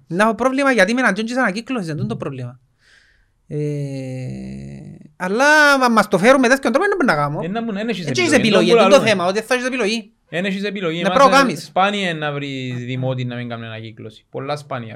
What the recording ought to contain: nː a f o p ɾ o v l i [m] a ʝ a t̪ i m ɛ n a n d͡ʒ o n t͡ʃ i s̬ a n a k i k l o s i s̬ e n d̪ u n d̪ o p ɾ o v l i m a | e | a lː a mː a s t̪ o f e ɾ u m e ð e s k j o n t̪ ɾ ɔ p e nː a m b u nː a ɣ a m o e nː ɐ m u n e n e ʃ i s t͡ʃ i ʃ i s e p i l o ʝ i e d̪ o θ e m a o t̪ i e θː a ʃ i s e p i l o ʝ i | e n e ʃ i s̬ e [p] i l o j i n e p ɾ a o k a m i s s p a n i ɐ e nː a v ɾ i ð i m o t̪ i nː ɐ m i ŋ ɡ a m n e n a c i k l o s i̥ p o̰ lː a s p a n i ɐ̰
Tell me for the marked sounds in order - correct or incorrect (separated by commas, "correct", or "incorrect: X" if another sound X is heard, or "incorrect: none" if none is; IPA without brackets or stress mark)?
correct, correct